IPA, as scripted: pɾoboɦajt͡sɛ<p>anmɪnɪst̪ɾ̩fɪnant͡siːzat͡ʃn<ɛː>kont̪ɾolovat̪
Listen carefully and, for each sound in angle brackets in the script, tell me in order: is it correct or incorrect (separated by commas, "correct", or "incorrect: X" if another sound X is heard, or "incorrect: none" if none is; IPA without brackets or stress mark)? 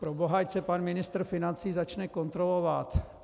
correct, incorrect: ɛ